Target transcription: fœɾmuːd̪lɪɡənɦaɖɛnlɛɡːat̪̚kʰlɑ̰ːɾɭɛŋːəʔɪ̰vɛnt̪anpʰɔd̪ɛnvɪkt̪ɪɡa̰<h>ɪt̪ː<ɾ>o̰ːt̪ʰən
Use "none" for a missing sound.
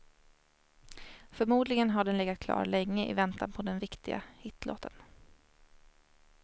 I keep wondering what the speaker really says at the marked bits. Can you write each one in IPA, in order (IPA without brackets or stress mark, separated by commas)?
h, l